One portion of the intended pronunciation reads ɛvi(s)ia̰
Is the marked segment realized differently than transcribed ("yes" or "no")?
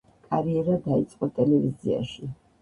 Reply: yes